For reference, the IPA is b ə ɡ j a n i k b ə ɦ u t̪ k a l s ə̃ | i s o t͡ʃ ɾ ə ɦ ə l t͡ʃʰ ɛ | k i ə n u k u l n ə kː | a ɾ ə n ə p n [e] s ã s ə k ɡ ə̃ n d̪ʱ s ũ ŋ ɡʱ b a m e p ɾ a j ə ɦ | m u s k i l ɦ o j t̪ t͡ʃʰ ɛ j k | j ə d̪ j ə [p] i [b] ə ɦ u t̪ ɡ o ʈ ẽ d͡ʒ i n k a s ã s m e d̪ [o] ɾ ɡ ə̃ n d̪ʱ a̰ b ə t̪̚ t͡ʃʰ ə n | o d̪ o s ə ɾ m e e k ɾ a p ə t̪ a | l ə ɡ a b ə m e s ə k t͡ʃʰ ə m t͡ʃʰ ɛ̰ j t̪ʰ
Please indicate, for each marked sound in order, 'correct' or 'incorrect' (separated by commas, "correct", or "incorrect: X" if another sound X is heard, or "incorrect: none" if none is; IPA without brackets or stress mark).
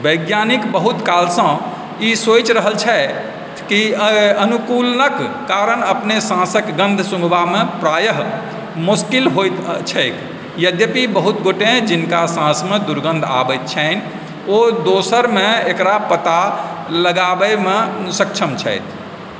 correct, correct, correct, incorrect: u